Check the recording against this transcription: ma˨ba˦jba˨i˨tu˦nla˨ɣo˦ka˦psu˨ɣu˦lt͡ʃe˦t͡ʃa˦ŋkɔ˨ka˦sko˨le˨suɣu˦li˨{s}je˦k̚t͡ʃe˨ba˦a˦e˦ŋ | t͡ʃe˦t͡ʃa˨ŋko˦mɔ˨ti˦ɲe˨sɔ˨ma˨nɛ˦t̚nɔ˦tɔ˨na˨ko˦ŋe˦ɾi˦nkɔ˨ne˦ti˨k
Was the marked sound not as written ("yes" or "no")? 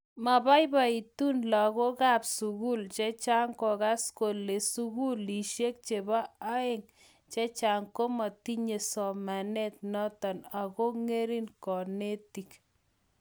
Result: yes